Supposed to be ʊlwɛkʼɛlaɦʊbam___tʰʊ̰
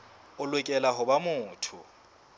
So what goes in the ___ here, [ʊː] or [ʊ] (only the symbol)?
ʊː